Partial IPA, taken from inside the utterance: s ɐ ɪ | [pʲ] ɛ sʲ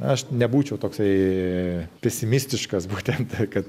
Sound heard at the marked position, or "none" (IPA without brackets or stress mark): pʲ